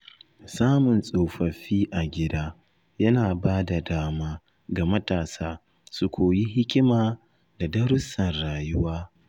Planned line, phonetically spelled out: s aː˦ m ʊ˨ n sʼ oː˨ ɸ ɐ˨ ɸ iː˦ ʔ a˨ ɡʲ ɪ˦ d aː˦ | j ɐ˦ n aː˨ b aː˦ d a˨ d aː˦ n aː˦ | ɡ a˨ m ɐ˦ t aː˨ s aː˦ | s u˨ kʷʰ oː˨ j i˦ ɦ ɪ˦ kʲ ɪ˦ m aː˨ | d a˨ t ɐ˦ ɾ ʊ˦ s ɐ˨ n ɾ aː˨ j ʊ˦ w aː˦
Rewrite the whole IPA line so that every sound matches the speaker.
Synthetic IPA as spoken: s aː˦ m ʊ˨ n sʼ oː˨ ɸ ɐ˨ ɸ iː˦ ʔ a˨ ɡʲ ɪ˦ d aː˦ | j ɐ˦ n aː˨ b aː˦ d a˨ d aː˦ m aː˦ | ɡ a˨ m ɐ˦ t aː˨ s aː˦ | s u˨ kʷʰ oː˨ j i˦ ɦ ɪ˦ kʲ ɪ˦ m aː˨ | d a˨ d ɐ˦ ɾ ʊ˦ s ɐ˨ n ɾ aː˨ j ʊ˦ w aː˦